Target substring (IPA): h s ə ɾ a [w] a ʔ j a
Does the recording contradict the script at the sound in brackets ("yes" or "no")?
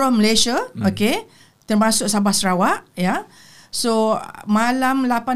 no